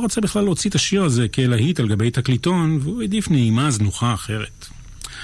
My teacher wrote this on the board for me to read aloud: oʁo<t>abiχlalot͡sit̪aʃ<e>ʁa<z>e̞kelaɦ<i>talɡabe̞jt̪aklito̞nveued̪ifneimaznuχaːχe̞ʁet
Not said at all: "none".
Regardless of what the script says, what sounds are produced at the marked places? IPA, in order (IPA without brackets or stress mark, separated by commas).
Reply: t͡s, i, z, i